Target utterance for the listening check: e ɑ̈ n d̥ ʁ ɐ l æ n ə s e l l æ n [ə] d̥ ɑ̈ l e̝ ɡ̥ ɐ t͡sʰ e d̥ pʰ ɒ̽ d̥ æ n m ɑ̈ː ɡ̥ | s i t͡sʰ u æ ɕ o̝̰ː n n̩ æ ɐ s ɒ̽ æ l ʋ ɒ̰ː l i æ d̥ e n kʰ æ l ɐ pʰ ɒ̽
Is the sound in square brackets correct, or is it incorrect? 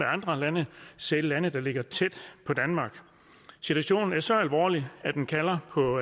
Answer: correct